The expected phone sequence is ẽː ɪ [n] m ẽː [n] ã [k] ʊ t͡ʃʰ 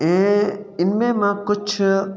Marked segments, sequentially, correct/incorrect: correct, incorrect: m, correct

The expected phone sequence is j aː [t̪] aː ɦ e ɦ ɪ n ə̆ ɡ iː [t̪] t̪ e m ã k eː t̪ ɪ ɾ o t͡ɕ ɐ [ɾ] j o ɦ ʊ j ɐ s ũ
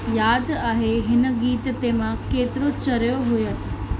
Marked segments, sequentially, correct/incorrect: incorrect: d̪, correct, correct

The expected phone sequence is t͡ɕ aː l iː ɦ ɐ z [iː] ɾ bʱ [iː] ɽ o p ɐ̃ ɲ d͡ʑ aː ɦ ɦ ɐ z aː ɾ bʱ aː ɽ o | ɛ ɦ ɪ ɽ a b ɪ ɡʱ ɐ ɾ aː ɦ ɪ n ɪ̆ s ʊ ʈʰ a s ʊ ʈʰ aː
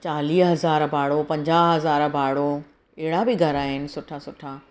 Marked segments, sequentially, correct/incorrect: incorrect: aː, incorrect: aː

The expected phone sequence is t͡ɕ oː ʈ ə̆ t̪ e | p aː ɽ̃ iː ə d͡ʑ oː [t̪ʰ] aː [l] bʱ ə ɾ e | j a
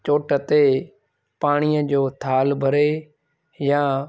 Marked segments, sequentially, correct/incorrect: correct, correct

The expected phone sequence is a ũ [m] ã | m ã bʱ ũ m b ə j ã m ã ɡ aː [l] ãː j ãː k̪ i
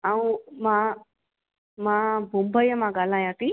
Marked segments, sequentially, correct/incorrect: correct, correct

